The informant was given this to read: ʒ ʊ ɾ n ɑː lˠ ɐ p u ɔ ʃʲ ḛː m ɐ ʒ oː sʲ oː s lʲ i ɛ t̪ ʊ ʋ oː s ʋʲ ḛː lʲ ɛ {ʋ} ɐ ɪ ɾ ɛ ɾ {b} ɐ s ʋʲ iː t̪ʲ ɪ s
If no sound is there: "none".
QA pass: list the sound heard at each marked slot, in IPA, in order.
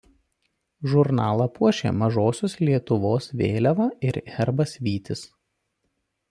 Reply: ʋ, b

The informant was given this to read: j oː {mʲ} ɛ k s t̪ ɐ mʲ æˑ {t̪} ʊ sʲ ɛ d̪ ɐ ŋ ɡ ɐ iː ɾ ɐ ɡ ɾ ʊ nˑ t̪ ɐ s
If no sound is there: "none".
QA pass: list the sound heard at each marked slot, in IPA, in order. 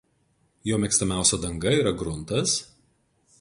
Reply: mʲ, none

